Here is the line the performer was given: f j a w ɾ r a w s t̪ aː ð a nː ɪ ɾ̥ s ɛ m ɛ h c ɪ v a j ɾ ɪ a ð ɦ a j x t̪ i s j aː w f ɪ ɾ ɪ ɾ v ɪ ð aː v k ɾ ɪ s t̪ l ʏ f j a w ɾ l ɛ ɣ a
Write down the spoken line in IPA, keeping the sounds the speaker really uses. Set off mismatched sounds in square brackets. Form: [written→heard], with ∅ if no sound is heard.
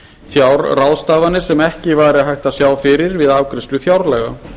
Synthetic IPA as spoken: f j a w ɾ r a w s t̪ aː [ð→v] a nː ɪ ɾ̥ s ɛ m ɛ h c ɪ v a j ɾ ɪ a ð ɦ a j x t̪ [i→a] s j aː w f ɪ ɾ ɪ ɾ v ɪ ð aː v k ɾ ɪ s t̪ l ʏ f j a w ɾ l ɛ ɣ a